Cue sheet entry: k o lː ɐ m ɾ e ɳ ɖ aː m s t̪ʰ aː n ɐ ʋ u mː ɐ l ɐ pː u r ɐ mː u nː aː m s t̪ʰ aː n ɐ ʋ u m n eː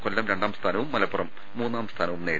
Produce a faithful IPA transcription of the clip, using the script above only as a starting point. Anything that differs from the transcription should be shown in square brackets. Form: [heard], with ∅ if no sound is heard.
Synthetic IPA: k o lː ɐ m ɾ e ɳ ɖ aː m s t̪ʰ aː n ɐ ʋ u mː ɐ l ɐ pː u r ɐ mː [uː] nː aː m s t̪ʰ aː n ɐ ʋ u m n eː